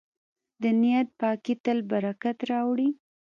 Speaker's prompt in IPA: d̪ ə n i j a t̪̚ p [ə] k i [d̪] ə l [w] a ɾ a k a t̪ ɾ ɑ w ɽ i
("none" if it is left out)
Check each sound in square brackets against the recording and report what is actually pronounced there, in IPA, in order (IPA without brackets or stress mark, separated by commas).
ɑ, t̪, b